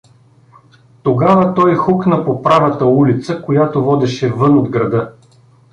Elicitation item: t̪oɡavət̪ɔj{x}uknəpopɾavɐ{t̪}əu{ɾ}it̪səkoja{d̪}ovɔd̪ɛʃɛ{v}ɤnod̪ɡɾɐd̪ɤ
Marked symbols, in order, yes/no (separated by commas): yes, yes, no, no, yes